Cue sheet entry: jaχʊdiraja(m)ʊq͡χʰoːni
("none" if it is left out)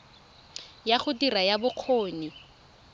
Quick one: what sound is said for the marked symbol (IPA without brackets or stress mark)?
b